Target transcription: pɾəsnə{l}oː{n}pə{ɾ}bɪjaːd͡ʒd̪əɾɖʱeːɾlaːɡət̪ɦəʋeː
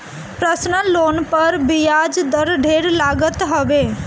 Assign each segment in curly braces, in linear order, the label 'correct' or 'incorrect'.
correct, correct, correct

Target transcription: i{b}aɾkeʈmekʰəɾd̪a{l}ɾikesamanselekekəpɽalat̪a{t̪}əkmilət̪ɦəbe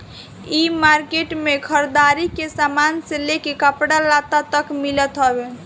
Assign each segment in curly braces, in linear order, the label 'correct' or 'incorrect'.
incorrect: m, incorrect: none, correct

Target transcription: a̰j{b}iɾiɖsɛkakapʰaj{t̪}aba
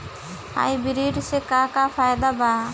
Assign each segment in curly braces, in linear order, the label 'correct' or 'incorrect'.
correct, incorrect: d̪

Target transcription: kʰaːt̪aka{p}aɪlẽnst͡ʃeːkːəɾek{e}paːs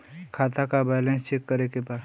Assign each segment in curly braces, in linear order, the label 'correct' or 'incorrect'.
incorrect: b, correct

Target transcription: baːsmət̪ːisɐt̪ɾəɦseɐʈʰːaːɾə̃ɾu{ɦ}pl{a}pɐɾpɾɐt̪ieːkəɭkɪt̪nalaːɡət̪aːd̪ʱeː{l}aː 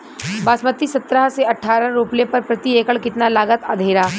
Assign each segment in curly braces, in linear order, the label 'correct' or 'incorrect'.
incorrect: none, incorrect: e, incorrect: ɾ

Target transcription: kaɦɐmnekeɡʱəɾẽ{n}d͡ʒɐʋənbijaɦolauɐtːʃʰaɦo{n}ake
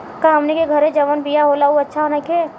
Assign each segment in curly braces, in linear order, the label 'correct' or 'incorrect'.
incorrect: none, correct

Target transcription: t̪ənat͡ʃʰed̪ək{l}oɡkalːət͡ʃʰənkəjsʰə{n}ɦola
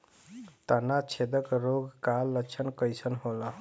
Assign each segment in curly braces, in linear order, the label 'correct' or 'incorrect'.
incorrect: ɾ, correct

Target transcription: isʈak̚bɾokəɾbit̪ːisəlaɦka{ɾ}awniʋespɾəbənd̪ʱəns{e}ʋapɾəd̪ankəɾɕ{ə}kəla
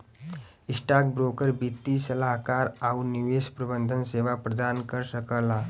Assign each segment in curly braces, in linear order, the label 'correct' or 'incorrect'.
correct, correct, correct

